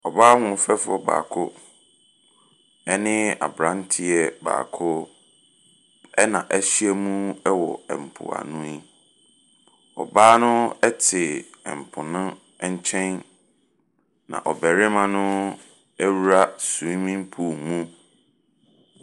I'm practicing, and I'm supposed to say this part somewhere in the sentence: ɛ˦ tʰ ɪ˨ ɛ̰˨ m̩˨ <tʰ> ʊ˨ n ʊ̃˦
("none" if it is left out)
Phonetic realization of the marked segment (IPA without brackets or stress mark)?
pʰ